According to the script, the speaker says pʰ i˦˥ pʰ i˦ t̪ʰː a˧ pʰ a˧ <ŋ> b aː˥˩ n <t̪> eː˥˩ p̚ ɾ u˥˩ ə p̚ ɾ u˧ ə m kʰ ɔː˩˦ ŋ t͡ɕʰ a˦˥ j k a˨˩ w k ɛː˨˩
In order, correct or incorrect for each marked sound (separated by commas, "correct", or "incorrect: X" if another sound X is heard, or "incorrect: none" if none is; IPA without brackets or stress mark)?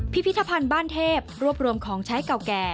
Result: incorrect: n, incorrect: t̪ʰ